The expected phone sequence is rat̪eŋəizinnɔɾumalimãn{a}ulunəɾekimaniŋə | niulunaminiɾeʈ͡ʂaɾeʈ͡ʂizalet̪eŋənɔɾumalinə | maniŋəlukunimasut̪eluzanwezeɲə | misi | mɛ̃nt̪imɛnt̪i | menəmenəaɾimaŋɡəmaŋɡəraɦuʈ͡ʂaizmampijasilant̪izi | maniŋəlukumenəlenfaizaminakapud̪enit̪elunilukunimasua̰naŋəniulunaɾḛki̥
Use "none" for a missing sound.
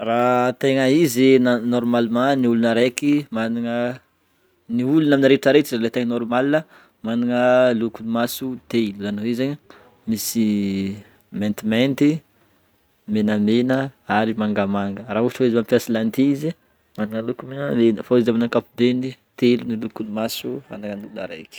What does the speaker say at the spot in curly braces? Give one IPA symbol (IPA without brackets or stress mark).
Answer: i